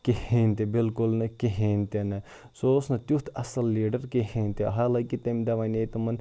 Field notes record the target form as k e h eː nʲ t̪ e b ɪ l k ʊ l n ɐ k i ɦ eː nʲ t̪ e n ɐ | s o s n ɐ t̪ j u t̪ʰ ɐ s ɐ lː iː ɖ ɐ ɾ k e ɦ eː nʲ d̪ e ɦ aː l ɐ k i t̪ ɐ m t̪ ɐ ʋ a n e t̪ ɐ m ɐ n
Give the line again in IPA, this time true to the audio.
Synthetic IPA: k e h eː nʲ t̪ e b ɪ l k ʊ l n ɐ k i ɦ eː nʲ t̪ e n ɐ | s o s n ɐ t̪ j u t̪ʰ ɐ s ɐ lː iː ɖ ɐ ɾ k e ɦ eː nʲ t̪ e ɦ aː l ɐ k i t̪ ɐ m d̪ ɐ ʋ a n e t̪ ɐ m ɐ n